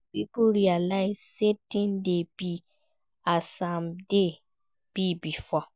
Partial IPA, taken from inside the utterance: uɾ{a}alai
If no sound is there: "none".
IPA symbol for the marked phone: i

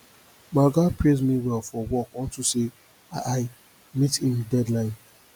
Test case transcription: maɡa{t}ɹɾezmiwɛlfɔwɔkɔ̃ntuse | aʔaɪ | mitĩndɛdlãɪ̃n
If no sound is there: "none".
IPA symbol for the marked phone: p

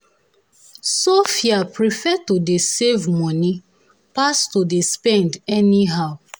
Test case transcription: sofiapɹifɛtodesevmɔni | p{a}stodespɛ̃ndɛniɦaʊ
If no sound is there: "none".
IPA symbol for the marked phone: a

